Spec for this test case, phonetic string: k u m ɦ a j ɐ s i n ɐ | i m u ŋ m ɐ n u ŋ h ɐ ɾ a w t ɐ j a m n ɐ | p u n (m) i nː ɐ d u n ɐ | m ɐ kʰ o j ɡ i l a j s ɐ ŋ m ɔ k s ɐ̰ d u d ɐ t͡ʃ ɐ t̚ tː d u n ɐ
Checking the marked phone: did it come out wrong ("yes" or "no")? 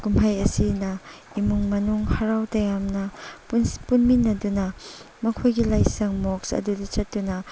no